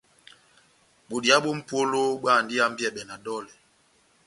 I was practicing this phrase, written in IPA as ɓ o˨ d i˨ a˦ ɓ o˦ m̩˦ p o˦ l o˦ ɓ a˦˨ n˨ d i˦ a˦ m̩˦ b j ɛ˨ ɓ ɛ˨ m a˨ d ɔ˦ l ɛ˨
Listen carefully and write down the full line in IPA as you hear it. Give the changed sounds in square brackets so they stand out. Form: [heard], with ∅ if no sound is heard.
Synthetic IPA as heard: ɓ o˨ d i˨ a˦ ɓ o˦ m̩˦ p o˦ l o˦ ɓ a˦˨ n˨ d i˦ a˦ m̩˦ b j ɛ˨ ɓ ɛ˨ [n] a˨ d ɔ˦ l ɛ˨